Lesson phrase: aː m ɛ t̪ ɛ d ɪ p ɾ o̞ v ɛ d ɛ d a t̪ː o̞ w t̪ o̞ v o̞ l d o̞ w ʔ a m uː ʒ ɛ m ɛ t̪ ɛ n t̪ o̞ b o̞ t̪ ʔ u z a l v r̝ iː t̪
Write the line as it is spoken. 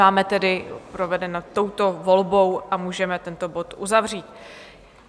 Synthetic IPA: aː m ɛ t̪ ɛ d ɪ p ɾ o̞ v ɛ d ɛ n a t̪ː o̞ w t̪ o̞ v o̞ l b o̞ w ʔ a m uː ʒ ɛ m ɛ t̪ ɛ n t̪ o̞ b o̞ t̪ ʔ u z a v r̝ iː t̪